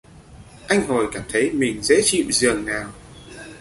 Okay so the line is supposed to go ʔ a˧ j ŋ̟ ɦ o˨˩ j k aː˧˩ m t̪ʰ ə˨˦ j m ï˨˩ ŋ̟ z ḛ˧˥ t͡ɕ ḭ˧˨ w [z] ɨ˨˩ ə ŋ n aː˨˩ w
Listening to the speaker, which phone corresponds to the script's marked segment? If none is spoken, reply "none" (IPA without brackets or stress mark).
z